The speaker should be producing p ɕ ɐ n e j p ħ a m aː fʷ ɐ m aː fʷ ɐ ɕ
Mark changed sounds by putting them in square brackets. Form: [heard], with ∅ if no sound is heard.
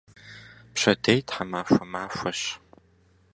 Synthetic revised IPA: p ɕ ɐ [d] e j [t] ħ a m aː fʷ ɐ m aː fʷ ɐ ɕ

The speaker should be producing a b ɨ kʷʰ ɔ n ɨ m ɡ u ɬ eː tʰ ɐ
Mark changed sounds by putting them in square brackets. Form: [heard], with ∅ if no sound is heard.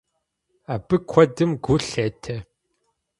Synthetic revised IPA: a b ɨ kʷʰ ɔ [d] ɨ m ɡ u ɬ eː tʰ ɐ

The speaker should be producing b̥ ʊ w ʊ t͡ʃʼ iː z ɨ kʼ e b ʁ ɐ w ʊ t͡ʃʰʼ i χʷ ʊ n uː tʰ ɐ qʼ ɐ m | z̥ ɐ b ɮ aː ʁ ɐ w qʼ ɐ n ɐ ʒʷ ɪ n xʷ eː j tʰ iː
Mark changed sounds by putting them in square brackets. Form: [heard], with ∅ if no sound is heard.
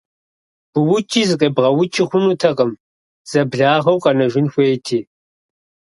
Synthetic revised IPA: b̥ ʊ w ʊ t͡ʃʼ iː z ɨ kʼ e b ʁ ɐ w ʊ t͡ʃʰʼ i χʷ ʊ n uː tʰ ɐ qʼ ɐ m | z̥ ɐ b ɮ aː ʁ ɐ w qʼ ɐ n ɐ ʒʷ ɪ n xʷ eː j tʰ iː

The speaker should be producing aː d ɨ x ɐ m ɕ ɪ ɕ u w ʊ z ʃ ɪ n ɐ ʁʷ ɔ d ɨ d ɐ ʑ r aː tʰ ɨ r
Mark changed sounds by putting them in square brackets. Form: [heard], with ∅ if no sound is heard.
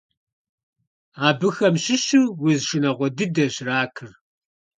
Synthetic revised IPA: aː [b] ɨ x ɐ m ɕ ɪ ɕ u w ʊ z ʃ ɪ n ɐ ʁʷ ɔ d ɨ d ɐ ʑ r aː [kʰ] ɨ r

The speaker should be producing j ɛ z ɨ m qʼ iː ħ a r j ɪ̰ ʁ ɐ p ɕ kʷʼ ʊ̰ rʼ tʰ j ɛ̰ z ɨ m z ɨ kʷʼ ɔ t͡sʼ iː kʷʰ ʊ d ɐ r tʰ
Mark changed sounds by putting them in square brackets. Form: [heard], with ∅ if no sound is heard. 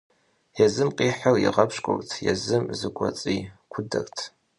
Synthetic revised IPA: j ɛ z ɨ m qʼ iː ħ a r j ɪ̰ ʁ ɐ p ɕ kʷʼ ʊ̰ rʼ tʰ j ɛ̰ z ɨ m z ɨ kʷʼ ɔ t͡sʼ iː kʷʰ ʊ d ɐ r tʰ

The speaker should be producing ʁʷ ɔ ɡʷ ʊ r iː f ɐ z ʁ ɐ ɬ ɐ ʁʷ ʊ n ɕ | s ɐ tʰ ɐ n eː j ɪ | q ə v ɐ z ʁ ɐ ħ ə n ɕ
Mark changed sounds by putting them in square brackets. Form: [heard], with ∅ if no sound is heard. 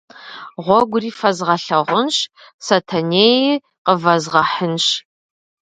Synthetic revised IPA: ʁʷ ɔ ɡʷ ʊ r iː f ɐ z ʁ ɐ ɬ ɐ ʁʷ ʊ n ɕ | s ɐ tʰ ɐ n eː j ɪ | q ə v ɐ z ʁ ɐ ħ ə n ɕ

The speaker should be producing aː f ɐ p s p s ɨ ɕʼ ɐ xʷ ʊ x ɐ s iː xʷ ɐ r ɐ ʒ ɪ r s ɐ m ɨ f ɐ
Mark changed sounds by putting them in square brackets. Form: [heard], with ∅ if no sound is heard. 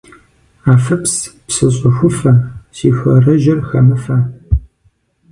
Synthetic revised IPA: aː f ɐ p s p s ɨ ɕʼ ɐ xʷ ʊ [f] ɐ s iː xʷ ɐ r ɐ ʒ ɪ r [x] ɐ m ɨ f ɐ

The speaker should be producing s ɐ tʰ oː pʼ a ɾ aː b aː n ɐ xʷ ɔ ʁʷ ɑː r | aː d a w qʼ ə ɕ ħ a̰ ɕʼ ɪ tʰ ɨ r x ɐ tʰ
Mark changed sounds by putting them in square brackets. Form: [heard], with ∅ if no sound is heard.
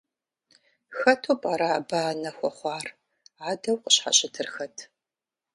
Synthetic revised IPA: [x] ɐ tʰ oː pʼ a ɾ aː b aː n ɐ xʷ ɔ [χʷ] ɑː r | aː d [ɐ] w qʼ ə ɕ ħ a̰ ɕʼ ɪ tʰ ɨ r x ɐ tʰ

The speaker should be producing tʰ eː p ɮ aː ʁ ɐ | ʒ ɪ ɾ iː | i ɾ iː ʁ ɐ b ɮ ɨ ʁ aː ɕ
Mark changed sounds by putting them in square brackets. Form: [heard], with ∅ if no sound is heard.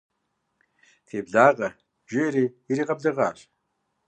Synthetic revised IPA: tʰ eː [b] ɮ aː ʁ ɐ | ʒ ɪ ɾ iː | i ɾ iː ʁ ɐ b ɮ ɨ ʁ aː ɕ

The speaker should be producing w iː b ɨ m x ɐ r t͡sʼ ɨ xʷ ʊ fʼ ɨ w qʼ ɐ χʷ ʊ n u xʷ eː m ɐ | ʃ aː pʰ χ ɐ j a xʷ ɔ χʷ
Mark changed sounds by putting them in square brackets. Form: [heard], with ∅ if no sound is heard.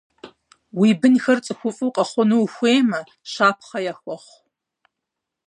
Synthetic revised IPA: w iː b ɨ [n] x ɐ r t͡sʼ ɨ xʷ ʊ fʼ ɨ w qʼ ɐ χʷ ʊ n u xʷ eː m ɐ | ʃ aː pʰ χ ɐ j a xʷ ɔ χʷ

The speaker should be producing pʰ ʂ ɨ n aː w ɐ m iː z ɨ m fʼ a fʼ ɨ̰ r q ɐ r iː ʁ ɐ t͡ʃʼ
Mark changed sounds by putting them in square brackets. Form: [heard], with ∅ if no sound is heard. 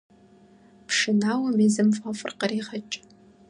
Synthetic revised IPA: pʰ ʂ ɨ n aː w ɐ m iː z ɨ m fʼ a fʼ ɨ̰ r q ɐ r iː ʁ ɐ t͡ʃʼ

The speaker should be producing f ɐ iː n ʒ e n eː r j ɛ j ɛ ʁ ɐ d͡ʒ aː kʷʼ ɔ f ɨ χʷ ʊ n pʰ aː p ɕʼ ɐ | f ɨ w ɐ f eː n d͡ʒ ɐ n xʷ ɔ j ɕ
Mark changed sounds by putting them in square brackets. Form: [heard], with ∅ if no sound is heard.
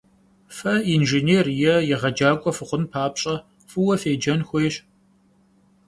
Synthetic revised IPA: f ɐ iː n ʒ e n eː r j ɛ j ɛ ʁ ɐ d͡ʒ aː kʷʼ ɔ f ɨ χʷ ʊ n pʰ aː p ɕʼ ɐ | f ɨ w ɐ f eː [∅] d͡ʒ ɐ n xʷ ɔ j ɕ

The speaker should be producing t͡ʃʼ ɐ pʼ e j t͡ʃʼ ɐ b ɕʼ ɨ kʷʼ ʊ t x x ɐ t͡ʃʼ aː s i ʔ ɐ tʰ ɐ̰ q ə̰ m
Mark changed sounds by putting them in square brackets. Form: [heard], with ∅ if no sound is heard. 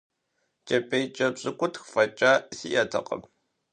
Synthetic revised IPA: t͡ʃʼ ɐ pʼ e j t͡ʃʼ ɐ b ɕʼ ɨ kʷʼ ʊ t x [f] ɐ t͡ʃʼ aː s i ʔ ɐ tʰ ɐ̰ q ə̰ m

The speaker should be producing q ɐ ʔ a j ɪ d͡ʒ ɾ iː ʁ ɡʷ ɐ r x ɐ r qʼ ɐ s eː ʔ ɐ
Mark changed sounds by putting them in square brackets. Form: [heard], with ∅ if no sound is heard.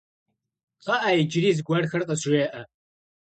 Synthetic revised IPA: q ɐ ʔ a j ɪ d͡ʒ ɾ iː [z] ɡʷ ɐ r x ɐ r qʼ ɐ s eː ʔ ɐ

